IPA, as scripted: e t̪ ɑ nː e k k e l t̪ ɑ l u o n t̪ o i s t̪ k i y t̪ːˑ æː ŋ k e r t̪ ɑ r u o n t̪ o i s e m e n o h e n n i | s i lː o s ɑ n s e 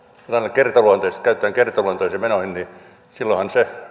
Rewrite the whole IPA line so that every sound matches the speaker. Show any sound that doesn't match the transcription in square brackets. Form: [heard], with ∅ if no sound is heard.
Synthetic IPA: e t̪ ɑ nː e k k e [r] t̪ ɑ l u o n t̪ o i s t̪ k [æ] y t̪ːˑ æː ŋ k e r t̪ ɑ [l] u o n t̪ o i s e m e n o h [i] n n i | s i lː o [h] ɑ n s e